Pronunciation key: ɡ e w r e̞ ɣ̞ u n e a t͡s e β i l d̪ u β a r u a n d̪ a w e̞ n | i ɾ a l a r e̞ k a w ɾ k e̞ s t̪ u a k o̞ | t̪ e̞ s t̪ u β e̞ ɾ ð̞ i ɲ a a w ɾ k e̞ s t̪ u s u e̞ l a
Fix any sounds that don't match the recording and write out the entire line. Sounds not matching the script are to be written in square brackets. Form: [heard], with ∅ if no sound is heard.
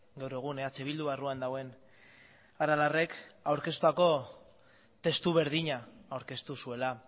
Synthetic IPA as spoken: ɡ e w [ɾ] e̞ ɣ̞ u n e a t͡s e β i l d̪ u β a r u a n d̪ a w e̞ n | [a] ɾ a l a r e̞ k a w ɾ k e̞ s t̪ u a k o̞ | t̪ e̞ s t̪ u β e̞ ɾ ð̞ i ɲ a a w ɾ k e̞ s t̪ u s u e̞ l a